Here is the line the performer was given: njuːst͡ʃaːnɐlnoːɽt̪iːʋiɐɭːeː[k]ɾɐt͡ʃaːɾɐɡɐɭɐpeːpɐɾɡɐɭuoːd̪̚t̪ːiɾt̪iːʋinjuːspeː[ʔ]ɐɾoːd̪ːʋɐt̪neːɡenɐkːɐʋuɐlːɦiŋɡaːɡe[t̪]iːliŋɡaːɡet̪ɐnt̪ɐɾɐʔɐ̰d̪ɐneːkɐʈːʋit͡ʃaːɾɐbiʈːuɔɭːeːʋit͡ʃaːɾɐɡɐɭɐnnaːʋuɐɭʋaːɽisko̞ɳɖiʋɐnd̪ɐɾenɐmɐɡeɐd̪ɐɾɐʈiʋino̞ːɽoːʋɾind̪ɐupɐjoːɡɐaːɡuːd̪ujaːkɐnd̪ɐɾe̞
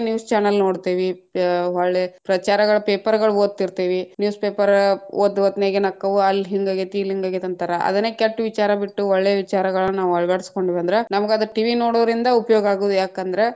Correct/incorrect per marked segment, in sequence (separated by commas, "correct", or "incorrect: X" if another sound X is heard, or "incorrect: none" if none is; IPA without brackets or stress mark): incorrect: p, incorrect: p, correct